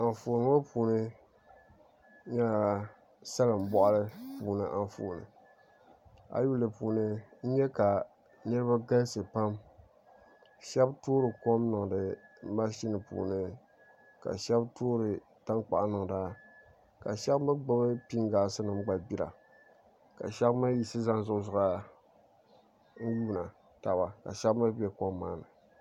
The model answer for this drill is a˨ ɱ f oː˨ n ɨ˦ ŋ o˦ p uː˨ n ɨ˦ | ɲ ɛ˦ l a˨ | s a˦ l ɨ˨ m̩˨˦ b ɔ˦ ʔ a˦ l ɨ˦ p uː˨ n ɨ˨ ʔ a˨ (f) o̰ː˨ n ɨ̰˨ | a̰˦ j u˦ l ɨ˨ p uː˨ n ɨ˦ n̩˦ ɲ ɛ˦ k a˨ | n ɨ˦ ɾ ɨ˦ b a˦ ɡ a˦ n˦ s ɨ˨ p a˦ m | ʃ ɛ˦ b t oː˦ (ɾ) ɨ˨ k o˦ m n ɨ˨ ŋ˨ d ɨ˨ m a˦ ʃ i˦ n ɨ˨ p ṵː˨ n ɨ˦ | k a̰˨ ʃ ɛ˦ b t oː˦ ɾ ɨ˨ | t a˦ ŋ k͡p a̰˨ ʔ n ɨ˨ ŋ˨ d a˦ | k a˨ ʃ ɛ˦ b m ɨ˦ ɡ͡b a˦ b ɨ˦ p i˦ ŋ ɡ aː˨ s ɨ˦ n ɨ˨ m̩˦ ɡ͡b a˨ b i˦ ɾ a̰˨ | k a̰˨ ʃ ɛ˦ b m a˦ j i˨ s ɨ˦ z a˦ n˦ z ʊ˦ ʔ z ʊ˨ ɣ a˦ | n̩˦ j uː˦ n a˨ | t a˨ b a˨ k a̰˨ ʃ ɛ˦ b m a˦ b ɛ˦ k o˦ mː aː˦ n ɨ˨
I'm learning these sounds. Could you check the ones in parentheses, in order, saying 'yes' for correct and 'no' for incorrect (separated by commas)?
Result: yes, yes